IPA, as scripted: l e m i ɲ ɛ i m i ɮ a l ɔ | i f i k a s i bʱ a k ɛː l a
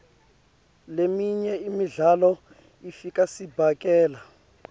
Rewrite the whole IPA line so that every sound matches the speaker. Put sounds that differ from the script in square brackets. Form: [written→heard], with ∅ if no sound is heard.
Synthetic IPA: l e m i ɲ ɛ i m i ɮ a l ɔ | i f i k a s i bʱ a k ɛː l a